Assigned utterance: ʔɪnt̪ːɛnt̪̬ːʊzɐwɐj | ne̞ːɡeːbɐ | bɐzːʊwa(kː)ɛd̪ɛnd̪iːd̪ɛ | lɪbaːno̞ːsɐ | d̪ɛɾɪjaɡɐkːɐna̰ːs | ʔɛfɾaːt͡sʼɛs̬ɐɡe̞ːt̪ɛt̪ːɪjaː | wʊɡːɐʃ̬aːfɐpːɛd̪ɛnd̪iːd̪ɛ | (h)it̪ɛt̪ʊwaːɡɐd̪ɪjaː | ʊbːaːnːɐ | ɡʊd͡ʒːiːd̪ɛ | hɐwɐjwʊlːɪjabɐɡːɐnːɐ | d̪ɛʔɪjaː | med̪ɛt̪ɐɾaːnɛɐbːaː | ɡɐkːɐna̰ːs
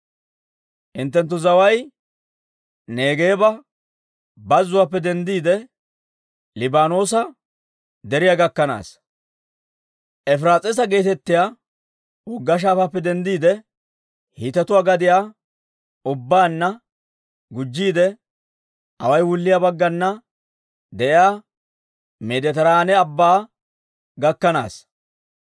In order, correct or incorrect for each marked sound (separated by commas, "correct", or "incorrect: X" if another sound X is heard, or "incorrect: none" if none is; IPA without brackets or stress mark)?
incorrect: pː, correct